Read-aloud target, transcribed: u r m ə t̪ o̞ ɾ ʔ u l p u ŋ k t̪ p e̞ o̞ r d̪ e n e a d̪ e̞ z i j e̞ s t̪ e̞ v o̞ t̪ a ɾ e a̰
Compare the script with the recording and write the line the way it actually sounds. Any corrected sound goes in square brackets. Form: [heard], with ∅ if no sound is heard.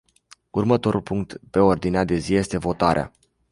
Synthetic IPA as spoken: u r m ə t̪ o̞ ɾ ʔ u l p u ŋ k t̪ p e̞ o̞ r d̪ [i] n e a d̪ e̞ z i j e̞ s t̪ e̞ v o̞ t̪ a ɾ e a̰